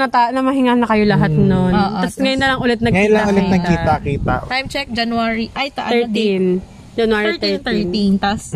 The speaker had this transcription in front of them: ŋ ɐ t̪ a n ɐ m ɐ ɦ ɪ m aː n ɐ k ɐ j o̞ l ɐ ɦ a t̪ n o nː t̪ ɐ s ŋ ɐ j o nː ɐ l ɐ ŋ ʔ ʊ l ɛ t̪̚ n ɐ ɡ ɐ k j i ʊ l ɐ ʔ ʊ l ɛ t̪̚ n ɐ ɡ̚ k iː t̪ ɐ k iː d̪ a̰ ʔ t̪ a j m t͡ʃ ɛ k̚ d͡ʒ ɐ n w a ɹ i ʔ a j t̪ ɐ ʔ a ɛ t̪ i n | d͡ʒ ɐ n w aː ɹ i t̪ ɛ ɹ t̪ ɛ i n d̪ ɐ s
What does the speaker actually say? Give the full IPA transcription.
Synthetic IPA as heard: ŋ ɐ t̪ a n ɐ m ɐ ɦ ɪ ŋ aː n ɐ k ɐ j o̞ l ɐ ɦ a t̪ n o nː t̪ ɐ s ŋ ɐ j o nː ɐ l ɐ ŋ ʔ ʊ l ɛ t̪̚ n ɐ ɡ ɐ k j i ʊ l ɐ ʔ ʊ l ɛ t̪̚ n ɐ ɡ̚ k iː t̪ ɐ k iː t̪ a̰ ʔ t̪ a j m t͡ʃ ɛ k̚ d͡ʒ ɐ n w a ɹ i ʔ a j t̪ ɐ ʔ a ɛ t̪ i n | d͡ʒ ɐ n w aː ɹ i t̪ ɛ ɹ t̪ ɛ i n t̪ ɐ s